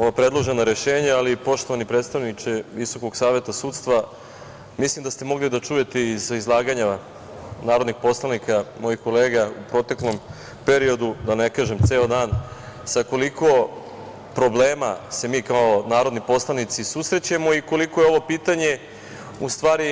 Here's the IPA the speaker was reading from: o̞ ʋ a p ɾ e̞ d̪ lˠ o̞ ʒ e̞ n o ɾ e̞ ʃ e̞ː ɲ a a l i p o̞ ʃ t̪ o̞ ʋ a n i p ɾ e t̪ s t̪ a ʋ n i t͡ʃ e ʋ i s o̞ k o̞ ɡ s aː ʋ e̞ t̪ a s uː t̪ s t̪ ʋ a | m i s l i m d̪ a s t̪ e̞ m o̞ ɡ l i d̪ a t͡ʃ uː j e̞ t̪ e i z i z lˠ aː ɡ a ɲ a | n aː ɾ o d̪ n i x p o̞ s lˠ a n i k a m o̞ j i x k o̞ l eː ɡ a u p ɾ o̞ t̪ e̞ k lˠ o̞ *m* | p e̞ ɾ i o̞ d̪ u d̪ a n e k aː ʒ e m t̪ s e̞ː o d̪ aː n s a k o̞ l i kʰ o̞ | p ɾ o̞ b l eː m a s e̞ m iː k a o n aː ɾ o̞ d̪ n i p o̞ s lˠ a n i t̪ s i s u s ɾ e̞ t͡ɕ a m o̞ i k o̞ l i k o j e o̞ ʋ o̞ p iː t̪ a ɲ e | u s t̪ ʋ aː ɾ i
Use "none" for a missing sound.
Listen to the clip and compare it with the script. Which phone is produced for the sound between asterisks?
m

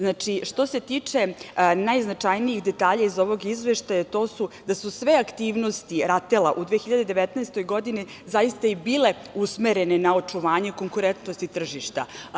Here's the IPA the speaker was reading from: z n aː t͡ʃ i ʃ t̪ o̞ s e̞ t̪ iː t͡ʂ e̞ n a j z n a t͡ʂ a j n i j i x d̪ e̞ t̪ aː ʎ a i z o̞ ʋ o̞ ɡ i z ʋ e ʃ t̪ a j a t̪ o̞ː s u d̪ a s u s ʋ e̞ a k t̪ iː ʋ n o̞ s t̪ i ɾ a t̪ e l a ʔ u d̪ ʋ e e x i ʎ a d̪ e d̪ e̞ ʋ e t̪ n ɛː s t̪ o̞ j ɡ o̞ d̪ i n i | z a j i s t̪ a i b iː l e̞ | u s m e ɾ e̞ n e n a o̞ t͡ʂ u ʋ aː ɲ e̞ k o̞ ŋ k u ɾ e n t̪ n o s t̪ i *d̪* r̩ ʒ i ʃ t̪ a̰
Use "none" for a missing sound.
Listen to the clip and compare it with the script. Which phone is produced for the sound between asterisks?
t̪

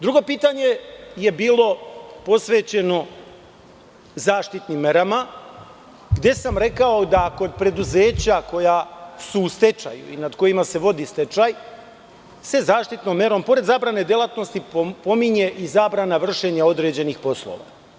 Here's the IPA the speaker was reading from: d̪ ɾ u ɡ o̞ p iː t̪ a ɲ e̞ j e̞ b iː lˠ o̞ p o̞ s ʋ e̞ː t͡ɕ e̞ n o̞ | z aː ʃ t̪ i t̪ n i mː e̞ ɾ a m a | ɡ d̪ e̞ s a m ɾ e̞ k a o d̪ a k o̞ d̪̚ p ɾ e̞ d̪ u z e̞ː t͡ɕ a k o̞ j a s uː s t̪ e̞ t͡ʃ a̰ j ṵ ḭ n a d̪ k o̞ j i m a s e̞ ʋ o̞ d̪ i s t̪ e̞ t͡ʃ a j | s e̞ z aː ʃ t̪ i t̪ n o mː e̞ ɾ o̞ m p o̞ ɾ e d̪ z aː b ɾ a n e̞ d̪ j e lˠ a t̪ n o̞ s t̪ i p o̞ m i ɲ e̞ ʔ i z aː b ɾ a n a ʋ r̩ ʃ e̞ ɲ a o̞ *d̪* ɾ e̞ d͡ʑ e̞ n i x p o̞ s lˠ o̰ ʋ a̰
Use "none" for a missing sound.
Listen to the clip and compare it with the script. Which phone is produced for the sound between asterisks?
d̪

